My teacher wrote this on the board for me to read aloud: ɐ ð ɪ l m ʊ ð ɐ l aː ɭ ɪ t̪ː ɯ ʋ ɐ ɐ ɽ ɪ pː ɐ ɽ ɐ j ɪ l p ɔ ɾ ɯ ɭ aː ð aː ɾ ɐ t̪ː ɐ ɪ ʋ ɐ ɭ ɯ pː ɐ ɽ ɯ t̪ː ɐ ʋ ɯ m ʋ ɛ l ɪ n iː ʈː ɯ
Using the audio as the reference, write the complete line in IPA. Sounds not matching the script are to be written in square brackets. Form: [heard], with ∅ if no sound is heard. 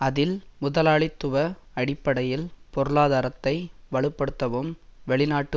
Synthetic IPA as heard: ɐ ð ɪ l m ʊ ð ɐ l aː ɭ ɪ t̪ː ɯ ʋ ɐ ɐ ɽ ɪ pː ɐ ɽ ɐ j ɪ l p ɔ ɾ ɯ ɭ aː ð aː ɾ ɐ t̪ː ɐ ɪ ʋ ɐ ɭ ɯ pː ɐ ɽ ɯ t̪ː ɐ ʋ ɯ m ʋ ɛ [ɭ] ɪ n [aː] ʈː ɯ

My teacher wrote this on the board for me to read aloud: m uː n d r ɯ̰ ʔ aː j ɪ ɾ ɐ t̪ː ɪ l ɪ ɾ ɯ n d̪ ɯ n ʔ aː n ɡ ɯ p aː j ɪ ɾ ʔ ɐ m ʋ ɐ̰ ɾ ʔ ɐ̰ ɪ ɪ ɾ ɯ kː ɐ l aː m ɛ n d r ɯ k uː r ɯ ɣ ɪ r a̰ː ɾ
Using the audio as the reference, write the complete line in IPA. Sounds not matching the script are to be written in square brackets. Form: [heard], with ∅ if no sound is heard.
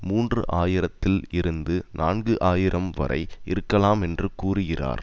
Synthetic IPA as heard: m uː n d r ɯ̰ ʔ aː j ɪ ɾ ɐ t̪ː ɪ l ɪ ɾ ɯ n d̪ ɯ n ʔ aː n ɡ ɯ [ʔ] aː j ɪ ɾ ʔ ɐ m ʋ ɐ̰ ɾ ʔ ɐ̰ ɪ ɪ ɾ ɯ kː ɐ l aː m ɛ n d r ɯ k uː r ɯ ɣ ɪ r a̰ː ɾ

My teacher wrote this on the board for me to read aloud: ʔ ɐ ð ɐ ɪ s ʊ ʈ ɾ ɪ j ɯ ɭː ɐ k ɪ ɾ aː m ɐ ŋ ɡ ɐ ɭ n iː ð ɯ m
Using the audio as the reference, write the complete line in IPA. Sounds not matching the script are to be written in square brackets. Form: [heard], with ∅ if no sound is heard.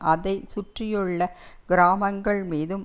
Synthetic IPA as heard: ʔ ɐ ð ɐ ɪ s ʊ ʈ [r] ɪ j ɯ ɭː ɐ [ɡ] ɪ ɾ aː m ɐ ŋ ɡ ɐ ɭ [m] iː ð ɯ m

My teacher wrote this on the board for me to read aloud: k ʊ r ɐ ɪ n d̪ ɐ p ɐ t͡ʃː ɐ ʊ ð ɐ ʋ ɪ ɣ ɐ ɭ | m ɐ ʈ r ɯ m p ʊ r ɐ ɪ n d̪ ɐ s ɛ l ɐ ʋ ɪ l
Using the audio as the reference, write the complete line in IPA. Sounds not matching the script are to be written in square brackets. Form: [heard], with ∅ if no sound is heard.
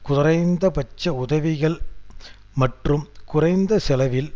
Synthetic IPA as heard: k ʊ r ɐ ɪ n d̪ ɐ p ɐ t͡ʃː ɐ ʊ ð ɐ ʋ ɪ ɣ ɐ ɭ | m ɐ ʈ r ɯ m [k] ʊ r ɐ ɪ n d̪ ɐ s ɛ l ɐ ʋ ɪ l

